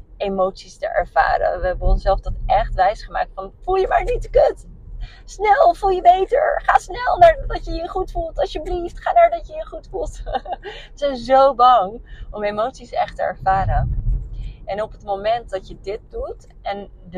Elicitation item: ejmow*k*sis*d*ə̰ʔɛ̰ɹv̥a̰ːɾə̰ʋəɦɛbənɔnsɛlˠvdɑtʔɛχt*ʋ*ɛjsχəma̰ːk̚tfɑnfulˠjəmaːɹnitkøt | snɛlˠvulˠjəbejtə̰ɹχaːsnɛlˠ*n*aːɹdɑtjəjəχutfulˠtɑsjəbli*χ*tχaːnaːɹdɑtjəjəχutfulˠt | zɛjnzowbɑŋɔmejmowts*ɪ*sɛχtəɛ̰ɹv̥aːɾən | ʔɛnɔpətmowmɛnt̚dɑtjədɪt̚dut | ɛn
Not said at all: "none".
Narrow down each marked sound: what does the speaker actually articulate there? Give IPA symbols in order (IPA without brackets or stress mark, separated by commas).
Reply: t, t, ʋ, n, f, i